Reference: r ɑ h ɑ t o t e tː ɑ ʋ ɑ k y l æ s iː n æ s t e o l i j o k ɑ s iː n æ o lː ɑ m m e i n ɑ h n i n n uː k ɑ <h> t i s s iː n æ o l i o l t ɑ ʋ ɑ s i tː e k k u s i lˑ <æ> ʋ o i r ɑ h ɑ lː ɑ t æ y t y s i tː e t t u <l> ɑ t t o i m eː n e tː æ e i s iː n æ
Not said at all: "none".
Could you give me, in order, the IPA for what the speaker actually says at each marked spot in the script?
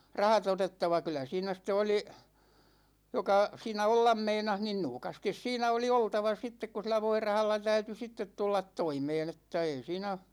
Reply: s, æ, lː

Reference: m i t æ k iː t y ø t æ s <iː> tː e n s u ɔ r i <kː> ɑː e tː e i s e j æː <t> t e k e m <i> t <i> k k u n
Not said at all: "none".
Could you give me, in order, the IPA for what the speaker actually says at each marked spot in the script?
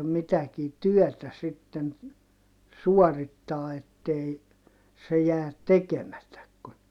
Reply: i, tː, t, æ, æ

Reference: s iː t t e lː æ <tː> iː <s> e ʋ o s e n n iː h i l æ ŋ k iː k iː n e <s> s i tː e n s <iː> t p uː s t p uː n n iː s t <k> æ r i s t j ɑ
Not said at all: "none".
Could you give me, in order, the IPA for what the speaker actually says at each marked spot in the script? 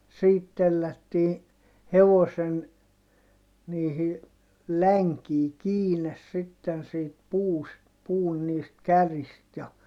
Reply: tː, h, s, iː, k

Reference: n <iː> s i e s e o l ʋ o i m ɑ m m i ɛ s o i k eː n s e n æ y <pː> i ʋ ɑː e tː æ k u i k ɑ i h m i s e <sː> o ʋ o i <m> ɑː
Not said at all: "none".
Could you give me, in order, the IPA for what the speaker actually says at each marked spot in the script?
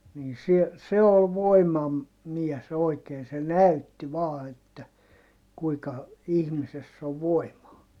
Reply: iː, tː, sː, m

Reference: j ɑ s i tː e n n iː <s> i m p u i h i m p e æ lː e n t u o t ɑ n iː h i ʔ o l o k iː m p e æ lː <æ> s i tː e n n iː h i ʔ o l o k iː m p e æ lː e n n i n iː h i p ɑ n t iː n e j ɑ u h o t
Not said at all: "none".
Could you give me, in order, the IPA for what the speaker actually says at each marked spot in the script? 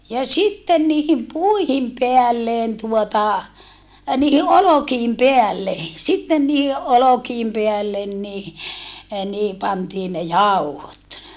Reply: h, e

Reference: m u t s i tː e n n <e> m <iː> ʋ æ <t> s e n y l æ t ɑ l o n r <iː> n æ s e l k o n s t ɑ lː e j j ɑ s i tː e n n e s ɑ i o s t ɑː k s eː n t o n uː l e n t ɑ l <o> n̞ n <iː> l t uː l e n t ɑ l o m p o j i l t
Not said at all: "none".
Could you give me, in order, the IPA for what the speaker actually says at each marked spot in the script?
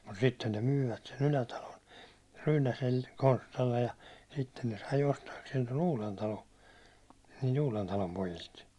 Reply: e, yː, t, yː, o, iː

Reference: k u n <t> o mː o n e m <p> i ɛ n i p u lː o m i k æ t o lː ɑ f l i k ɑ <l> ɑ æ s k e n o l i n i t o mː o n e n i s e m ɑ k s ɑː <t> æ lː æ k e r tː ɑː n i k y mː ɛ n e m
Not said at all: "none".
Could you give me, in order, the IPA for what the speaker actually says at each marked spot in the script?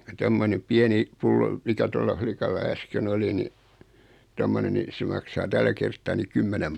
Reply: t, p, lː, t

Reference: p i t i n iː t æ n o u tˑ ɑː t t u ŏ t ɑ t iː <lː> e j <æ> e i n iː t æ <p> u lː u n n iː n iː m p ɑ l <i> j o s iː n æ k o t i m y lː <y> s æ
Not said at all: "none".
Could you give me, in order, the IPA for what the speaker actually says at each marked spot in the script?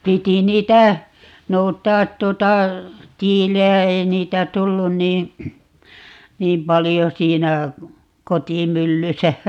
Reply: l, æ, t, i, y

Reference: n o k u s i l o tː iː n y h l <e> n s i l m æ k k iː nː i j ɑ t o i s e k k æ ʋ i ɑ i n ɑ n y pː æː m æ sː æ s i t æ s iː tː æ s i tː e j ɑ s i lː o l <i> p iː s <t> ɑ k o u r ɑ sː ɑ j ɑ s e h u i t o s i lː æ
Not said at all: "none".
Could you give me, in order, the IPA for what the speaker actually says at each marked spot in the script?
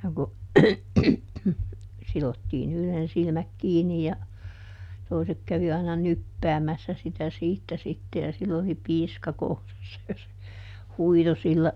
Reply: e, i, k

